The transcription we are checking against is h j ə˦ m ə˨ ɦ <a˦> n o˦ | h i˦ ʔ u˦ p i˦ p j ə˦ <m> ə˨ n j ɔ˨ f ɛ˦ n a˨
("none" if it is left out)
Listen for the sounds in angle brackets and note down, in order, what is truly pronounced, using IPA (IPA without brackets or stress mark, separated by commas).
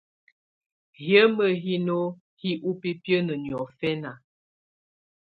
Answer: i˦, n